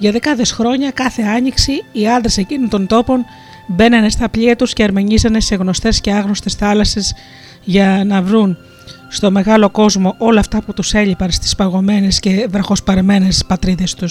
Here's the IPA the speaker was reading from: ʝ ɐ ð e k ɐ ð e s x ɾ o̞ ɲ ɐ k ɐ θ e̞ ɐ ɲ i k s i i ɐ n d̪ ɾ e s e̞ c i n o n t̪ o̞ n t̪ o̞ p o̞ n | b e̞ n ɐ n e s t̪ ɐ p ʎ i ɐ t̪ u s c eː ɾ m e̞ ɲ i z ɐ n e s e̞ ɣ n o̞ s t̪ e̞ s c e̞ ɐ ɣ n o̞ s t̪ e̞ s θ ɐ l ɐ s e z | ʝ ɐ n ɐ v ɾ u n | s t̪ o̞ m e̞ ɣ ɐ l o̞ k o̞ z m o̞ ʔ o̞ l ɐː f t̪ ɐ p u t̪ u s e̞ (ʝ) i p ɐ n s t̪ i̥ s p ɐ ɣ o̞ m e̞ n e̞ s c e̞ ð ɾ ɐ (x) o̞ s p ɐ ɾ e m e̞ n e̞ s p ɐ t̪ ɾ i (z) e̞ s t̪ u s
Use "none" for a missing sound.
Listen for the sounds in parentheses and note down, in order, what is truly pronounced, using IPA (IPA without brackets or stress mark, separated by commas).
ʎ, x, ð